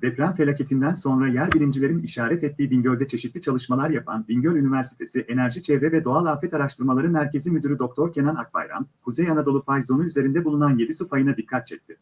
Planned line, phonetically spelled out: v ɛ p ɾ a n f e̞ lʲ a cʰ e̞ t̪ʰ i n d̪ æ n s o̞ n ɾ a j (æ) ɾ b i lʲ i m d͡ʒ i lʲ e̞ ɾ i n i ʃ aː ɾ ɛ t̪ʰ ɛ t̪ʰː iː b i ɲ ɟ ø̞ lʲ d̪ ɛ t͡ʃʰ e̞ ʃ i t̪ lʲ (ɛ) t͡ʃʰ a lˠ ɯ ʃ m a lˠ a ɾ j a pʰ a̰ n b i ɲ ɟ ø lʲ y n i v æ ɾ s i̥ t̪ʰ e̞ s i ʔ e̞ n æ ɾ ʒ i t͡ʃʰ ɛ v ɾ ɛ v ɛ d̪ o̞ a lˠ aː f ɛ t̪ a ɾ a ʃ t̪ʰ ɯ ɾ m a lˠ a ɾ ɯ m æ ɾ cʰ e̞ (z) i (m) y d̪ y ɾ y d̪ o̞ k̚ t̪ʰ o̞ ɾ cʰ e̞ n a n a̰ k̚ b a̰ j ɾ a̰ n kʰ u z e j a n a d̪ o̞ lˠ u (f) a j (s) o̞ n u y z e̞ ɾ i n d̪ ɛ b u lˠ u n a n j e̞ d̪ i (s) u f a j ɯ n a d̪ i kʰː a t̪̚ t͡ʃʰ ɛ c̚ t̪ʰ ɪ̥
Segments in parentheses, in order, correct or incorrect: correct, incorrect: i, correct, correct, correct, incorrect: z, correct

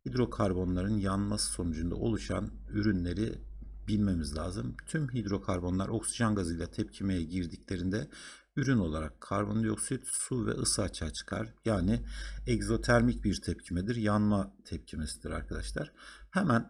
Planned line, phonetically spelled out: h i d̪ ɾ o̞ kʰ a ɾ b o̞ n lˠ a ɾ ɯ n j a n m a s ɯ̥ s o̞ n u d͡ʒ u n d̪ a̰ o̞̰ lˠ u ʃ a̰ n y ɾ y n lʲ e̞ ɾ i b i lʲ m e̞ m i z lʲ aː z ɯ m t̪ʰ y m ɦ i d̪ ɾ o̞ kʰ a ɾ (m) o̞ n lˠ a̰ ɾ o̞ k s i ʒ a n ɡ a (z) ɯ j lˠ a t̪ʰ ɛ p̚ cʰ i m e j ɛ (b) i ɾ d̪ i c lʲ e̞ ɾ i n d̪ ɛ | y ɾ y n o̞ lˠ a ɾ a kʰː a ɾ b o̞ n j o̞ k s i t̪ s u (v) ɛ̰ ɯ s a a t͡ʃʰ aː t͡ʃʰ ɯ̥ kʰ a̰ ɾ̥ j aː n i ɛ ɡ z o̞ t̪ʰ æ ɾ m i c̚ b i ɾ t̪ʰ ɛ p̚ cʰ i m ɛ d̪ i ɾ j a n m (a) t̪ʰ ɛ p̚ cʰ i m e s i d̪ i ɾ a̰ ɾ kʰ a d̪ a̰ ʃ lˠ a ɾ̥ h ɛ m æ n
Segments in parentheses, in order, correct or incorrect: incorrect: b, correct, incorrect: ɟ, correct, correct

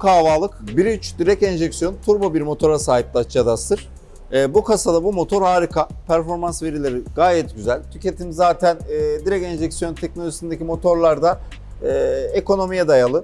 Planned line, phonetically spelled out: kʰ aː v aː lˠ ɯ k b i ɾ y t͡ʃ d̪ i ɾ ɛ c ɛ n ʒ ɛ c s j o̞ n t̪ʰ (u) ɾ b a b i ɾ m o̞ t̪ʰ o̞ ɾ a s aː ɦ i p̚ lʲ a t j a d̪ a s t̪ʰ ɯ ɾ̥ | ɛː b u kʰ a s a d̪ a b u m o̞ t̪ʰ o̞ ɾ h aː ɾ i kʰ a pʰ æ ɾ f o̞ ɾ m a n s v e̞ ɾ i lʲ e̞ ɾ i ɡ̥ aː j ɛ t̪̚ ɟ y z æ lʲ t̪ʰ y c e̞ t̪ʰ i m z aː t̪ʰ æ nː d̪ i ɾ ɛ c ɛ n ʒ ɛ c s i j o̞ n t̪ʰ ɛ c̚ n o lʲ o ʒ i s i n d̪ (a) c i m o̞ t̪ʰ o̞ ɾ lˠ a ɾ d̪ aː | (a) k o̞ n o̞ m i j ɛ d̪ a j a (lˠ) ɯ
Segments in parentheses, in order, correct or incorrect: correct, incorrect: e, incorrect: e, correct

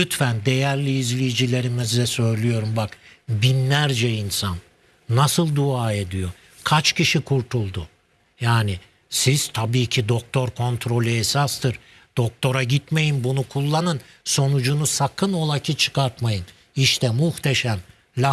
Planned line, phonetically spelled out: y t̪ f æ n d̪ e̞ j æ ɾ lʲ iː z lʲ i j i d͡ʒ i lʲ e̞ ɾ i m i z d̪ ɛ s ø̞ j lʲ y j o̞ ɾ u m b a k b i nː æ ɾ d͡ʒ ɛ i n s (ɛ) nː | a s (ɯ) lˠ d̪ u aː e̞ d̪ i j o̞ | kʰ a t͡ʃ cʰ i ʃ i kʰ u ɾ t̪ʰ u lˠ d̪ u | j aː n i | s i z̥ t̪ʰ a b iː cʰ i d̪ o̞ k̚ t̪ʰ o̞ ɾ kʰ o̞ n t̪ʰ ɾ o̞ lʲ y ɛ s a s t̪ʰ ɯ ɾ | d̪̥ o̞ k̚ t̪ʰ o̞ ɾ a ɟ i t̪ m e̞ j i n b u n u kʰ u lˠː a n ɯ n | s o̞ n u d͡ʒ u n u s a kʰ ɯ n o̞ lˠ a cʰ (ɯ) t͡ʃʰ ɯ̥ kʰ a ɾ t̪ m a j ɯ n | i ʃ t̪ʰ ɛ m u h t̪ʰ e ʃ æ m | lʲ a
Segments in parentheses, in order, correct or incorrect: incorrect: a, correct, correct

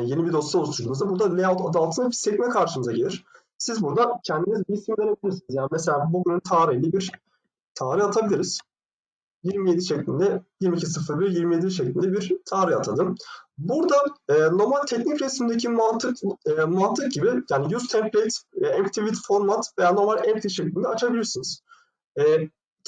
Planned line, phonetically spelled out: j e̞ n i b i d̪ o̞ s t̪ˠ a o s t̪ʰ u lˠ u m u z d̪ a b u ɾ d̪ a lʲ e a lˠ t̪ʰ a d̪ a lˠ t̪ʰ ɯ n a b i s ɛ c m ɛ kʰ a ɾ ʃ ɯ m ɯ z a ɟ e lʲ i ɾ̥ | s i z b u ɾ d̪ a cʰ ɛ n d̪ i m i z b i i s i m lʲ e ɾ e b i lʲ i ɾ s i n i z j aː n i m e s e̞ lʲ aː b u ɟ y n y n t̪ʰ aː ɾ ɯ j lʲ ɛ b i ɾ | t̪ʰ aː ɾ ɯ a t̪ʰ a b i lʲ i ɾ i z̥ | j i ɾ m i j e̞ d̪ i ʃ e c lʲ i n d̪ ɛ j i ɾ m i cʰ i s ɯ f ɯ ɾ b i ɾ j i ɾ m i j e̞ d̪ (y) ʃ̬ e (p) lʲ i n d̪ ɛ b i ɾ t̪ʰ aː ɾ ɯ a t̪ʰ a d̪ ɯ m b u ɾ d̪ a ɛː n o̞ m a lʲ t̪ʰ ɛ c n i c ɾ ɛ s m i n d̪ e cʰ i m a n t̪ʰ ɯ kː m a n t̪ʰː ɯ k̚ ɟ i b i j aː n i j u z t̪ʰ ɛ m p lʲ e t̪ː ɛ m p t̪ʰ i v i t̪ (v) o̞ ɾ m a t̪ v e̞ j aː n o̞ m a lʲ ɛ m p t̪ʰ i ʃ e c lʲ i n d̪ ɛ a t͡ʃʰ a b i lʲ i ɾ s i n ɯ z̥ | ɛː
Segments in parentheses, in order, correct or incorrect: incorrect: i, incorrect: c, incorrect: f

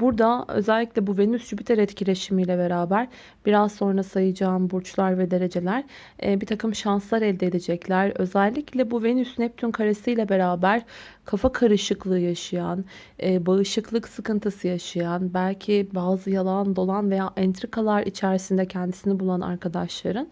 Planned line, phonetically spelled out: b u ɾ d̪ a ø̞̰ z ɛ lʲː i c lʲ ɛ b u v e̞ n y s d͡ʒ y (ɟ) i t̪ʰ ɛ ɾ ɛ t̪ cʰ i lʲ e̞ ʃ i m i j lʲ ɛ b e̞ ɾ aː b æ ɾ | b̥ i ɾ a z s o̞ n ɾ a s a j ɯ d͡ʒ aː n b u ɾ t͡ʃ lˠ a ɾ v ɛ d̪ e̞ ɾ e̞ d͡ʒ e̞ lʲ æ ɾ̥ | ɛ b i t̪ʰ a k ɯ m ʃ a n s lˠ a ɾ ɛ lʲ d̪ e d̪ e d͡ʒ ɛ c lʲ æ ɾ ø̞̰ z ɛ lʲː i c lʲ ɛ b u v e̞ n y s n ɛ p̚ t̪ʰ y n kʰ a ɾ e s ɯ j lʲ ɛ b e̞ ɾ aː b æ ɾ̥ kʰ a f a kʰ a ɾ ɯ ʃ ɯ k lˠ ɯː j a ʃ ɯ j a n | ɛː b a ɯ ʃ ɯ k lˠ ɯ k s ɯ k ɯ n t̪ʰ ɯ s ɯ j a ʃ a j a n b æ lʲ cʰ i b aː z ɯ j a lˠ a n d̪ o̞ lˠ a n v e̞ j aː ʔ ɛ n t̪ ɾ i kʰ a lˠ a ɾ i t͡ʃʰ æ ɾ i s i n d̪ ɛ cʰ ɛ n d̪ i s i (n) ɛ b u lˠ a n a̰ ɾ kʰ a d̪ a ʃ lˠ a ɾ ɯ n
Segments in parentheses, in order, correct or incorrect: incorrect: b, correct

